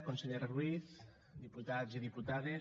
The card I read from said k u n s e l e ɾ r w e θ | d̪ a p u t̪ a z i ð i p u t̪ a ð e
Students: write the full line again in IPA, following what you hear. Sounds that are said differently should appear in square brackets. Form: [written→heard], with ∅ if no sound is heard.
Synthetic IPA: k [u→o] n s e [l→ʎ] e ɾ r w [e→i] θ | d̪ [a→i] p u t̪ a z i ð i p u t̪ a ð e